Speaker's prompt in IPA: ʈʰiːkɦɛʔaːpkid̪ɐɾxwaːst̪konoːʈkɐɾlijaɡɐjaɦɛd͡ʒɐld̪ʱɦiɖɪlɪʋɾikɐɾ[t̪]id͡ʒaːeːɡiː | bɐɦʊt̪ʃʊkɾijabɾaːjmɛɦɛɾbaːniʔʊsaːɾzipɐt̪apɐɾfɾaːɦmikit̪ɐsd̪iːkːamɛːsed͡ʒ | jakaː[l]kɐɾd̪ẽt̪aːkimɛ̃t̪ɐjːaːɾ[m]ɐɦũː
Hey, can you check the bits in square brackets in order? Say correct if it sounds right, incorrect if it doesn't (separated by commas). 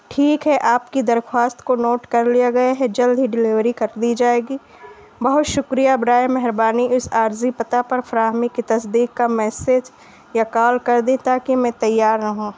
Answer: incorrect, correct, incorrect